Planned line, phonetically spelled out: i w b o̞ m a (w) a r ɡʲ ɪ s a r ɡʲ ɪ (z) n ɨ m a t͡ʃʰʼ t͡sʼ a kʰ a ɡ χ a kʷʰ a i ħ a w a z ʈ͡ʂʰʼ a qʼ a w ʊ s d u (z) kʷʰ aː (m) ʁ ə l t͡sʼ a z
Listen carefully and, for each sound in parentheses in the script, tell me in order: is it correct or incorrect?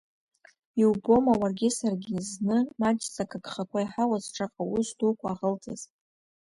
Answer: correct, correct, incorrect: none, incorrect: none

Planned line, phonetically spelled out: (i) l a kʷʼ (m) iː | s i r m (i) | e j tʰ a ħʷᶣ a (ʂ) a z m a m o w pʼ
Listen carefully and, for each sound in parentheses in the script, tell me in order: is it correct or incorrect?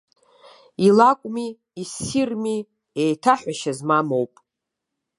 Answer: correct, correct, correct, incorrect: ʃ

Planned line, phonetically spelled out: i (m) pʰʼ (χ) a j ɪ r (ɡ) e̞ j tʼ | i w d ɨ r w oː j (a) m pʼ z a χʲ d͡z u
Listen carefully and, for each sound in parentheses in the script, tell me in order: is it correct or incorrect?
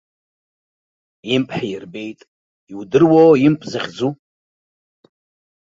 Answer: correct, incorrect: ħ, incorrect: b, incorrect: i

